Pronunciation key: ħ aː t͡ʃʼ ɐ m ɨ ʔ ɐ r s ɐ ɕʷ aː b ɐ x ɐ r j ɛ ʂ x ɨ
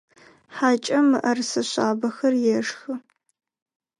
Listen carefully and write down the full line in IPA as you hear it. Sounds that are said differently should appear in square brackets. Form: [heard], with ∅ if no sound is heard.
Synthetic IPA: ħ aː t͡ʃʼ ɐ m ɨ ʔ ɐ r s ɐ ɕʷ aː b ɐ x ɐ r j ɛ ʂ x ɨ

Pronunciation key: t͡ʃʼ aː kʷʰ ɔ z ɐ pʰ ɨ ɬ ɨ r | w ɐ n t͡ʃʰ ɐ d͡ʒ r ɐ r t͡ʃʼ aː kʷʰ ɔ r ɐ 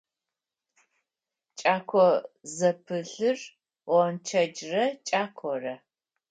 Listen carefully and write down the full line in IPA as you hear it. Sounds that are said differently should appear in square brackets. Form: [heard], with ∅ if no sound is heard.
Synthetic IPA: t͡ʃʼ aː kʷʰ ɔ z ɐ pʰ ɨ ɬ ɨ r | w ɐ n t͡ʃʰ ɐ d͡ʒ r ɐ [∅] t͡ʃʼ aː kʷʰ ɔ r ɐ

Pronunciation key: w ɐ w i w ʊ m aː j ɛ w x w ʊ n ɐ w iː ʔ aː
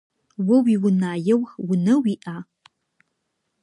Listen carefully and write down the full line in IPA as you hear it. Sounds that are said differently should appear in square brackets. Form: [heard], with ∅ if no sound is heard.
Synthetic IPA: w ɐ w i w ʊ [n] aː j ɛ w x w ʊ n ɐ w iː ʔ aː

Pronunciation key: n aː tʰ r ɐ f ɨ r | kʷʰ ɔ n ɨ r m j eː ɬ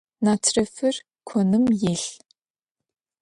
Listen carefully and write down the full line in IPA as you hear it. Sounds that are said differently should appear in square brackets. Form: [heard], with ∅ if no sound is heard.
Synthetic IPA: n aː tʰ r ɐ f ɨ r | kʷʰ ɔ n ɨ [∅] m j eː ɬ

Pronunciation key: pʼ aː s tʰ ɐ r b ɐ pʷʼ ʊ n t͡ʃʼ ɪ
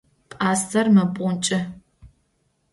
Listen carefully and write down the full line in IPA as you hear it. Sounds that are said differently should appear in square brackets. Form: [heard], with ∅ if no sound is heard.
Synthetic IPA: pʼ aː s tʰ ɐ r [m] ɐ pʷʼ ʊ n t͡ʃʼ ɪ

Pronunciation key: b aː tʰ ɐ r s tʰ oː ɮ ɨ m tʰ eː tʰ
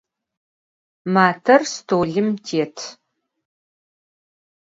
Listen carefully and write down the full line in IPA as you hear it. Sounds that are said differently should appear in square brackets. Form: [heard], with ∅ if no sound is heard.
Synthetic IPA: [m] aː tʰ ɐ r s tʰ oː ɮ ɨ m tʰ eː tʰ

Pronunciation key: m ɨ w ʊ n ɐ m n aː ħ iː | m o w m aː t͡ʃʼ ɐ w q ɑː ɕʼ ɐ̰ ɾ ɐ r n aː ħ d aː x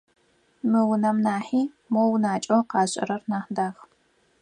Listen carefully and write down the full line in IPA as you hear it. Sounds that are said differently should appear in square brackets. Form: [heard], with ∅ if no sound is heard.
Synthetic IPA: m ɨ w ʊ n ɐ m n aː ħ iː | m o w [n] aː t͡ʃʼ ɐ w q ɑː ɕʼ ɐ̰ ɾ ɐ r n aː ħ d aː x

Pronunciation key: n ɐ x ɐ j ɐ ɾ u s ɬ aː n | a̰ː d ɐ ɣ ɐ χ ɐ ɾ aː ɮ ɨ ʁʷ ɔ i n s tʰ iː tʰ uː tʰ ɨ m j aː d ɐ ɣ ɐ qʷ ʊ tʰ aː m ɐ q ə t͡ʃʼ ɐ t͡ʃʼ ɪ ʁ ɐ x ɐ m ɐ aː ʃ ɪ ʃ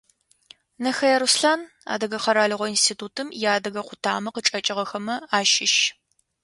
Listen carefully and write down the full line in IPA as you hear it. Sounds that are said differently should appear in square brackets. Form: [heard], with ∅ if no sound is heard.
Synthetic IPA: n ɐ x ɐ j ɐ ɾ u s ɬ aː n | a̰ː d ɐ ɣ ɐ χ ɐ ɾ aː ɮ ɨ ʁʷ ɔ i n s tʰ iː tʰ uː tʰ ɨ m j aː d ɐ ɣ ɐ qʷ ʊ tʰ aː m ɐ q ə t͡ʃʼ ɐ t͡ʃʼ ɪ ʁ ɐ x ɐ m ɐ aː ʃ ɪ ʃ

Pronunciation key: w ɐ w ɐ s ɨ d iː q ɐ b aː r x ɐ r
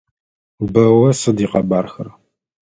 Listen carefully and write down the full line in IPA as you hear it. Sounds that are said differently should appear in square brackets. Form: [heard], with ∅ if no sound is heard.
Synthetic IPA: [b] ɐ w ɐ s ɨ d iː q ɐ b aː r x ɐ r

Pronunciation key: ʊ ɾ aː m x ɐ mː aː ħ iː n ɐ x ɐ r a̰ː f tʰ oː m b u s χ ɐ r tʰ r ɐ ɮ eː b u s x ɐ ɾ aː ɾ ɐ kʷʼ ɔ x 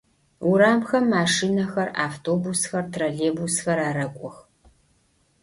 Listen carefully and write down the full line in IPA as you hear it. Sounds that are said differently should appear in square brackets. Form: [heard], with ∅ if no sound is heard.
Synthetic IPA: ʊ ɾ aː m x ɐ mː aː [ʂ] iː n ɐ x ɐ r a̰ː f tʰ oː [∅] b u s [x] ɐ r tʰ r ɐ ɮ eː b u s x ɐ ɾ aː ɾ ɐ kʷʼ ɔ x

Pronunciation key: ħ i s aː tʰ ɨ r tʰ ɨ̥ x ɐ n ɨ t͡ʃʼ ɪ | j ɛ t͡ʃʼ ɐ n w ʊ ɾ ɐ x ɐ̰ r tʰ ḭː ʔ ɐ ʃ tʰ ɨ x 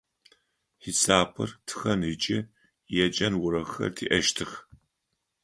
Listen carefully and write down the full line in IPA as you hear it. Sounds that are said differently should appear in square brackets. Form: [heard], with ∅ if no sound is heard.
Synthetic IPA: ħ i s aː [pʰ] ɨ r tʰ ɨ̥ x ɐ n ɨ t͡ʃʼ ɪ | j ɛ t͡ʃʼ ɐ n w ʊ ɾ ɐ x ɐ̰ r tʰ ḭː ʔ ɐ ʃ tʰ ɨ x

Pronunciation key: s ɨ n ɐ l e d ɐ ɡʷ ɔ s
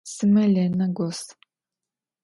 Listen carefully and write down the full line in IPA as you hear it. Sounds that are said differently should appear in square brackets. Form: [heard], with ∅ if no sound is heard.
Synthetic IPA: s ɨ [m] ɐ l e [n] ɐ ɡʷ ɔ s

